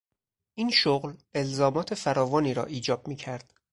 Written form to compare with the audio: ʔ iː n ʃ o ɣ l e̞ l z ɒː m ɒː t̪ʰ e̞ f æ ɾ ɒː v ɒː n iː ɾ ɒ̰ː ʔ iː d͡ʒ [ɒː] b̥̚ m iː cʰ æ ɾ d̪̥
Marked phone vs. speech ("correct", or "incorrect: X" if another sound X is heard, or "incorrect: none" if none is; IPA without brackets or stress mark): correct